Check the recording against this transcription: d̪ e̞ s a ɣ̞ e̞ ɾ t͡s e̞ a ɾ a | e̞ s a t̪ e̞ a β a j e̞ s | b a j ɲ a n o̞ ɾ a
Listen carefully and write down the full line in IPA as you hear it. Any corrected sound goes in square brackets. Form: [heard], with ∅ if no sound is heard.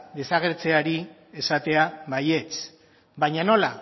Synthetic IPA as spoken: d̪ e̞ s a ɣ̞ e̞ ɾ t͡s e̞ a ɾ [i] | e̞ s a t̪ e̞ a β a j e̞ [t͡s] | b a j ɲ a n o̞ [l] a